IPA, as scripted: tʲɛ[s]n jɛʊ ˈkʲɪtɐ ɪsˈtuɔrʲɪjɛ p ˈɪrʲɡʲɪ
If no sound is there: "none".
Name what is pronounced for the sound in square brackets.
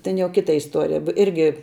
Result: none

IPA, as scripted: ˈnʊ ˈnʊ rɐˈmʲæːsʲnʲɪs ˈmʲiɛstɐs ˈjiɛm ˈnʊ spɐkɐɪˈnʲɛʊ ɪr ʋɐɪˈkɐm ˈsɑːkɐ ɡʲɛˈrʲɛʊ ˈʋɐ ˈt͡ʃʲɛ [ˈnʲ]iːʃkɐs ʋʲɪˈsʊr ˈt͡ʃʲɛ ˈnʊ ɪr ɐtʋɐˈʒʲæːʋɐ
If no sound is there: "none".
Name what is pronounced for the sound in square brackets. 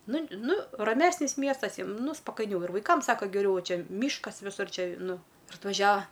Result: mʲ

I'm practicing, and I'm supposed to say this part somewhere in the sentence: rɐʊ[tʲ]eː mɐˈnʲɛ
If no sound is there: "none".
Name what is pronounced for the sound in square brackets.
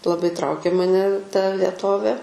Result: kʲ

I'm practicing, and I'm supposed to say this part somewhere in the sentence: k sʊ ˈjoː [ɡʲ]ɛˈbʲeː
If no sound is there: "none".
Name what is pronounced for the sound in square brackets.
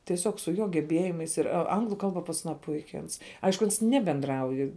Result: ɡʲ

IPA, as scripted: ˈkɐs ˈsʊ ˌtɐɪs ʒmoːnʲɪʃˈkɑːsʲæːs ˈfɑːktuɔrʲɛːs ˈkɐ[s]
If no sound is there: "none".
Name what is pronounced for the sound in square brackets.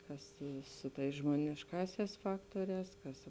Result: s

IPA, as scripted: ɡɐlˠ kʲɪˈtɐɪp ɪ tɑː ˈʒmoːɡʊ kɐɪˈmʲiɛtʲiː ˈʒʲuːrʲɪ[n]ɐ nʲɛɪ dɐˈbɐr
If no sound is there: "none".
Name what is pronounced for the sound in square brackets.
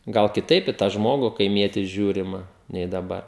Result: m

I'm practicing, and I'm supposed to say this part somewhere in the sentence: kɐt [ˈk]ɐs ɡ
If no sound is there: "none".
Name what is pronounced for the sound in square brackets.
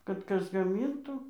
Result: k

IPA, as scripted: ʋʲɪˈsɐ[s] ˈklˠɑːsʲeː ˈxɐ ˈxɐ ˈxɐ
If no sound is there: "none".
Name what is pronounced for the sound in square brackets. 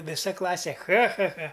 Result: none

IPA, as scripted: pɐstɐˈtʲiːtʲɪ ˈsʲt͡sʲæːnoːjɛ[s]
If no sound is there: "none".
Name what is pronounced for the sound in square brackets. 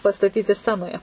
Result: none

